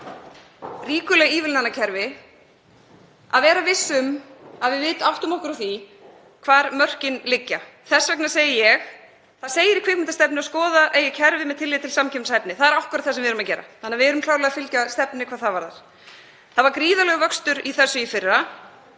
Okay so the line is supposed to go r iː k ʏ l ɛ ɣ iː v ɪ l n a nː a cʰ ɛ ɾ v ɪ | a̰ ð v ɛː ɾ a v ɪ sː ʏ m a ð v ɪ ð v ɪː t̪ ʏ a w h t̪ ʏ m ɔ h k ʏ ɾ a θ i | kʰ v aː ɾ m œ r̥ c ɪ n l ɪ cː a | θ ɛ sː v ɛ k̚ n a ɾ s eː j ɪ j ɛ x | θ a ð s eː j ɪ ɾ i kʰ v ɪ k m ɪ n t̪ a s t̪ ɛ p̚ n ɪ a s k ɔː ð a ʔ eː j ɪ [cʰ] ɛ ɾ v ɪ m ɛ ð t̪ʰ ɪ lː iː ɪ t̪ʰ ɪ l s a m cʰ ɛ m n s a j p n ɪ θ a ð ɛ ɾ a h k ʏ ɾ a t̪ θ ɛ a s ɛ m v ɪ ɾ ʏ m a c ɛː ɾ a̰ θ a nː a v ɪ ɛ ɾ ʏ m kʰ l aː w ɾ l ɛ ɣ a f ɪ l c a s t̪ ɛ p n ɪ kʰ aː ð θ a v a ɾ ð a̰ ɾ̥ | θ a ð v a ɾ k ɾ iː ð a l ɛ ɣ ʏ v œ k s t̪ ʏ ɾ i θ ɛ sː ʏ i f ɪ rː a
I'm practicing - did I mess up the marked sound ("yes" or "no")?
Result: no